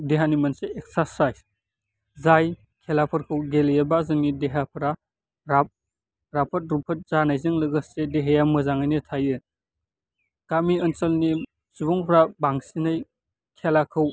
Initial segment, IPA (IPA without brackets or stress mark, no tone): d